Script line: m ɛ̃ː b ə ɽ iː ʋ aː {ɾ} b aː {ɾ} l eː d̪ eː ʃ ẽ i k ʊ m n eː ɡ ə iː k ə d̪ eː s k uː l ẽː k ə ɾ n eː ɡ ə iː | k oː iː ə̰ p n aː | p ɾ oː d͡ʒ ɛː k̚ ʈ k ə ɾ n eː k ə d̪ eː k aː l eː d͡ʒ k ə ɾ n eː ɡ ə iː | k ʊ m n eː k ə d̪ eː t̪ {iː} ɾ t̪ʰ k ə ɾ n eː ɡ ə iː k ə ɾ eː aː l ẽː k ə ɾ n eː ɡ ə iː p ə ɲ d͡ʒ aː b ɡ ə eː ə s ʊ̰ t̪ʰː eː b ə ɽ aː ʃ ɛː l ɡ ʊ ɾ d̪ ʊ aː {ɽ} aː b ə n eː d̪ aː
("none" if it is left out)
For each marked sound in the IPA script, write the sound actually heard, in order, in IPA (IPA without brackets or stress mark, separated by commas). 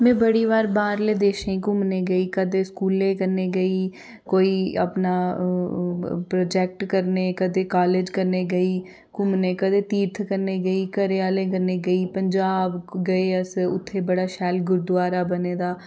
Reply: ɾ, ɾ, iː, ɾ